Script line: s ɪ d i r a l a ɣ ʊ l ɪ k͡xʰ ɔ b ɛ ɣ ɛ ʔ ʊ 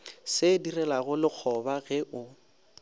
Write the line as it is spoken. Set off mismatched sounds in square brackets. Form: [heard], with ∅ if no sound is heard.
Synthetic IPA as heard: s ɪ d i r [ɛ] l a ɣ ʊ l ɪ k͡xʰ ɔ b [a] ɣ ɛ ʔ ʊ